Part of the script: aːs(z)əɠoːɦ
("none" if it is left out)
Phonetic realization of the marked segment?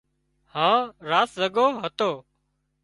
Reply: z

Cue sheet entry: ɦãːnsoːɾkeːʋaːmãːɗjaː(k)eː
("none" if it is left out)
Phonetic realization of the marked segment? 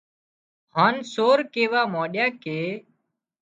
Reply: k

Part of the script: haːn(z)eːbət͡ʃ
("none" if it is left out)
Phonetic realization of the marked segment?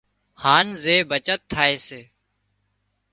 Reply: z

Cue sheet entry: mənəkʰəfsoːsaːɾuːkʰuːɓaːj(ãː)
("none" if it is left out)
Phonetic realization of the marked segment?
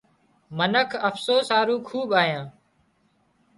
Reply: ãː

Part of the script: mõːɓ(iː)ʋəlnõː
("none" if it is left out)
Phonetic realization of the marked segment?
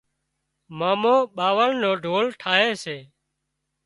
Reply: aː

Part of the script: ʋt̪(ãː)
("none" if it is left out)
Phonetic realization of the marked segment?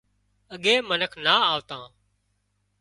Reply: ãː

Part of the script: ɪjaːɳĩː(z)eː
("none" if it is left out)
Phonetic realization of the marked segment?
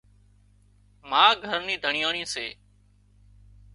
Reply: s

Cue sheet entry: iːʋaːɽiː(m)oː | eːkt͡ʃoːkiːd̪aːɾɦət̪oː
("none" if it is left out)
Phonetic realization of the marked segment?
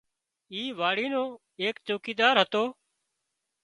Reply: n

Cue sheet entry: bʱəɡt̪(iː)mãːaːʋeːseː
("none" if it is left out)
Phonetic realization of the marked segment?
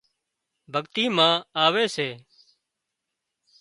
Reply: iː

